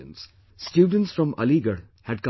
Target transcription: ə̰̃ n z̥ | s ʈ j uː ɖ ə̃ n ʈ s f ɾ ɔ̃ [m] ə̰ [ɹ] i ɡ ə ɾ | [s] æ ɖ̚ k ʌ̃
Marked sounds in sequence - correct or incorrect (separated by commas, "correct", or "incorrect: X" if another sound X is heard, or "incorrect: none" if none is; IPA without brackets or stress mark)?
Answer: correct, incorrect: l, incorrect: h